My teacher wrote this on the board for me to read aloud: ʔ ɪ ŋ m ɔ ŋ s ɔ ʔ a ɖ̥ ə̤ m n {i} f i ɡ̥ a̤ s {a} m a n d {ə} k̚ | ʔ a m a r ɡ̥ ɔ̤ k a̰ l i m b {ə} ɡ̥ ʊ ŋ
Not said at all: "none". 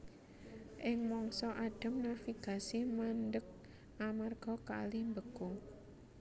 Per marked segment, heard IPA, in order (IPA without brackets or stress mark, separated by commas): a, i, ə, ə